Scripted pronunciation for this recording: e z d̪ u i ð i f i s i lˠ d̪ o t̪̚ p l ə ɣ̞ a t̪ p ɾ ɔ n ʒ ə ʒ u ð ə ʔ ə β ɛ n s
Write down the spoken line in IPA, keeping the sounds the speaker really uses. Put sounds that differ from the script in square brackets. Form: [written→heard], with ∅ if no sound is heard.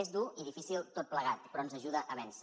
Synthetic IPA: e z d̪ u i ð i f i s i lˠ [d̪→t̪] o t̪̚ p l ə ɣ̞ a t̪ p ɾ ɔ n [ʒ→z] ə ʒ u ð ə ʔ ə β ɛ n s